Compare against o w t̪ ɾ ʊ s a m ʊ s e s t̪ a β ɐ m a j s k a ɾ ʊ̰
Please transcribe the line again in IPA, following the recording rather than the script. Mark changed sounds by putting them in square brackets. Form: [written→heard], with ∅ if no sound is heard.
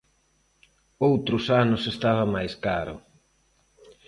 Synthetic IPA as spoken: o w t̪ ɾ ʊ s a [m→n] ʊ s e s t̪ a β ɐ m a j s k a ɾ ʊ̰

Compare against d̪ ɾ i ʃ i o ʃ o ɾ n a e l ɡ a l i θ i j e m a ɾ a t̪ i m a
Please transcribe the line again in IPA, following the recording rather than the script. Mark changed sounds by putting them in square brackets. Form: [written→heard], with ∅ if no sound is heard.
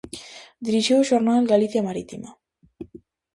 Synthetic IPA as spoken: d̪ ɾ i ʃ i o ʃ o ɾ n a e l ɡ a l i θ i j [e→a] m a ɾ [a→i] t̪ i m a

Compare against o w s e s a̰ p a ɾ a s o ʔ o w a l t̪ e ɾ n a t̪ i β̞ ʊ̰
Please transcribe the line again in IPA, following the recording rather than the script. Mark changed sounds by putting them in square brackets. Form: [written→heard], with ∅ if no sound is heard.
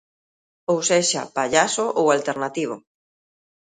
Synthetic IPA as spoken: o w s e [s→ʃ] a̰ p a [ɾ→ʎ] a s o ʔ o w a l t̪ e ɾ n a t̪ i β̞ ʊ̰

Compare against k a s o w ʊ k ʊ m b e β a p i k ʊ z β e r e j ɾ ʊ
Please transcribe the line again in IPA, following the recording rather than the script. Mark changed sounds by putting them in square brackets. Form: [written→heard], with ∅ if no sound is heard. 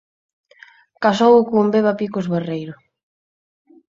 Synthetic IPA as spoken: k a s o w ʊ k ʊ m b e β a p i k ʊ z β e r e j ɾ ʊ

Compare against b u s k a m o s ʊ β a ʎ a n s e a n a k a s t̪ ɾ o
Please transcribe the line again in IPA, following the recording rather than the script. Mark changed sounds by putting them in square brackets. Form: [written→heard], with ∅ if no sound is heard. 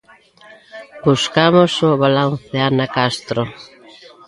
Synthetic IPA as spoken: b u s k a m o s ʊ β a [ʎ→l] a n [s→θ] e a n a k a s t̪ ɾ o

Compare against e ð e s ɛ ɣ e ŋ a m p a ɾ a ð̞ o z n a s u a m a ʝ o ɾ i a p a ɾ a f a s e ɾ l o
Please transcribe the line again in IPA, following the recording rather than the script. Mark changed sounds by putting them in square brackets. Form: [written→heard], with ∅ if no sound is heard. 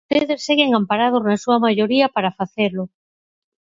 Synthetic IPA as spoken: e ð e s [ɛ→e] ɣ e ŋ a m p a ɾ a ð̞ o z n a s u a m a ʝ o ɾ i a p a ɾ a f a [s→θ] e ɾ l o

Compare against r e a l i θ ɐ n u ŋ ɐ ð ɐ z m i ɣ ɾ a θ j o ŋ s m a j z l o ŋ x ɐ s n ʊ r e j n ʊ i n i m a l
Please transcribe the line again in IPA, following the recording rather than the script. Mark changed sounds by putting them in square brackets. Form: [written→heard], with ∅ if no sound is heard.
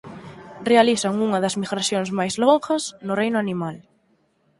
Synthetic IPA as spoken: r e a l i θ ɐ [n→ŋ] u ŋ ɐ ð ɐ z m i ɣ ɾ a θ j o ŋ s m a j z l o ŋ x ɐ s n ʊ r e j n ʊ [i→a] n i m a l

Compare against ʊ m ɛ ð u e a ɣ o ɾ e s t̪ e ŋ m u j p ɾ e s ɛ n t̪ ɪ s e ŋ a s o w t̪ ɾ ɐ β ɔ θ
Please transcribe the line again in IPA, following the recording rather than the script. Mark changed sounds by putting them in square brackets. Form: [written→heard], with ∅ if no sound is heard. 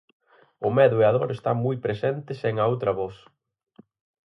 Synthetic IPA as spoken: ʊ m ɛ ð [u→ʊ] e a [ɣ→ð] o ɾ e s t̪ [e→a] ŋ m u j p ɾ e s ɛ n t̪ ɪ s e ŋ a [s→∅] o w t̪ ɾ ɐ β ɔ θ

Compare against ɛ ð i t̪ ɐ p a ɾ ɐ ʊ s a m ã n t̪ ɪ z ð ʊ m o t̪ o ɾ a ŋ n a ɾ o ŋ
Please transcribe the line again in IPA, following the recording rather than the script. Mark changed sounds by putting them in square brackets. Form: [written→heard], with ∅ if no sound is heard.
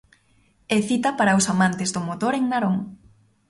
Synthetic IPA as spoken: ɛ [ð→θ] i t̪ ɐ p a ɾ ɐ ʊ s a m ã n t̪ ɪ z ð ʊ m o t̪ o ɾ [a→e] ŋ n a ɾ o ŋ

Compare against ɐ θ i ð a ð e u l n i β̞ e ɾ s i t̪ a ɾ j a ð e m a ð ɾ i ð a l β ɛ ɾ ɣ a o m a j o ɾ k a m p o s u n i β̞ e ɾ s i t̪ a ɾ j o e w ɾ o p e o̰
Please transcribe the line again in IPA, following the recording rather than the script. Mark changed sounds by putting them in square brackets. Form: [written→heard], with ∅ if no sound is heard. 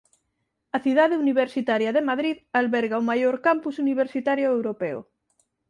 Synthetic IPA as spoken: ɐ θ i ð a ð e u [l→∅] n i β̞ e ɾ s i t̪ a ɾ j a ð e m a ð ɾ i ð a l β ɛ ɾ ɣ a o m a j o ɾ k a m p [o→u] s u n i β̞ e ɾ s i t̪ a ɾ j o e w ɾ o p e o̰

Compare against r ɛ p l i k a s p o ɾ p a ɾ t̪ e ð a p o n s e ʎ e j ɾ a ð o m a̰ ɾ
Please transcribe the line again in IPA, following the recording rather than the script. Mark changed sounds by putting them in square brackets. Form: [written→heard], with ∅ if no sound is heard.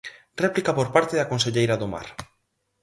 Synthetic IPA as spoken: r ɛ p l i k a [s→∅] p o ɾ p a ɾ t̪ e ð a [p→k] o n s e ʎ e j ɾ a ð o m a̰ ɾ

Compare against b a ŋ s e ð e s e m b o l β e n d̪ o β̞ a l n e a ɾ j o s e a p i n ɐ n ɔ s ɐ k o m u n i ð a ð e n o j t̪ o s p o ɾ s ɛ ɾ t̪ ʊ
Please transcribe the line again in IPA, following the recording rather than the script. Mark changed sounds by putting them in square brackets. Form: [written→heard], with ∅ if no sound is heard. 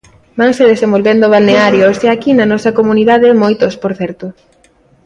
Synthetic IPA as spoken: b a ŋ s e ð e s e m b o l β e n d̪ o β̞ a l n e a ɾ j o s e a [p→k] i n ɐ n ɔ s ɐ k o m u n i ð a ð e [n→m] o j t̪ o s p o ɾ [s→θ] ɛ ɾ t̪ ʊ

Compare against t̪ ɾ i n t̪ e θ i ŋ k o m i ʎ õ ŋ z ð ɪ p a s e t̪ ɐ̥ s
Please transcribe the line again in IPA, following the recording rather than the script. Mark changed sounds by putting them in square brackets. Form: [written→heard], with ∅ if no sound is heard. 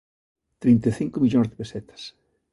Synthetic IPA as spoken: t̪ ɾ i n t̪ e θ i ŋ k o m i ʎ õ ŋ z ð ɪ p [a→e] s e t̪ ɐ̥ s

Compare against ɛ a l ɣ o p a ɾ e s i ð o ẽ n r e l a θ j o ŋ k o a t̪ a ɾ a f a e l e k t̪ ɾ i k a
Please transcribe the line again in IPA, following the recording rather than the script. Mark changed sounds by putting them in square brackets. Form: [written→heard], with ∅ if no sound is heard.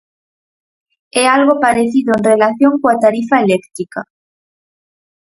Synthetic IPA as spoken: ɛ a l ɣ o p a ɾ e [s→θ] i ð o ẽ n r e l a θ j o ŋ k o a t̪ a ɾ [a→i] f a e l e k t̪ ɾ i k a

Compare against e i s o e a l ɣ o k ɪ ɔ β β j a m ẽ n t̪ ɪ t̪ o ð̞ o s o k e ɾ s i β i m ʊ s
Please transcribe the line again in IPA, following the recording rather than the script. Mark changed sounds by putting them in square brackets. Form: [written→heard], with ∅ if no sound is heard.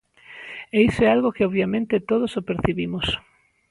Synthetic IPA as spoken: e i s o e a l ɣ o k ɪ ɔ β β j a m ẽ n t̪ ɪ t̪ o ð̞ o s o [k→p] e ɾ [s→θ] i β i m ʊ s

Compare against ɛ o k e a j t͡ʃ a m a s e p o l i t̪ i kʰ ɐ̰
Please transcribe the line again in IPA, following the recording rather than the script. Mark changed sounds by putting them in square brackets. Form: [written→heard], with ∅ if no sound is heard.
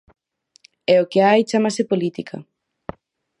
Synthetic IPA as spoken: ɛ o k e a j t͡ʃ a m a s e p o l i t̪ i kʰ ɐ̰

